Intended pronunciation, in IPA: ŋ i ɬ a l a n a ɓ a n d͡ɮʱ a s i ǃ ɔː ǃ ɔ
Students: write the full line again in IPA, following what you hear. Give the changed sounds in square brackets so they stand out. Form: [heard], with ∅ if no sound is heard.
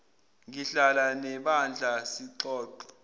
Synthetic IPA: ŋ i ɬ a l a n [ɛ] ɓ a n d͡ɮʱ a s i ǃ ɔː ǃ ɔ